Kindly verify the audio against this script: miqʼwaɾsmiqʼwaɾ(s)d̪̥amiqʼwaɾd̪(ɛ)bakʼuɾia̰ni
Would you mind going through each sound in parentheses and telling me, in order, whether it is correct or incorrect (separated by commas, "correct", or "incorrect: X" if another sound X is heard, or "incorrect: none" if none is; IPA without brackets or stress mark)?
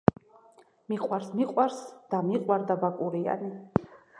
correct, incorrect: a